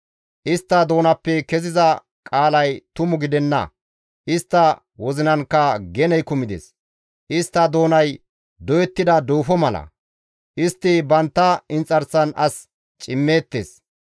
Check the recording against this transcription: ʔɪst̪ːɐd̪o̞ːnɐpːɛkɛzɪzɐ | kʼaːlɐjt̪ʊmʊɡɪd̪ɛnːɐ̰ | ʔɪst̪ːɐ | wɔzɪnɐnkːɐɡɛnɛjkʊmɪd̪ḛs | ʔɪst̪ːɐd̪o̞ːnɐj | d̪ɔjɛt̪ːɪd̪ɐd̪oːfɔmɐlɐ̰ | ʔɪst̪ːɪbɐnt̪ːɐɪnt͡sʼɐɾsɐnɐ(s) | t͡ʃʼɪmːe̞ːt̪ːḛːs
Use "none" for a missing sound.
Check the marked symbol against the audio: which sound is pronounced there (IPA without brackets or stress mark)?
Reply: s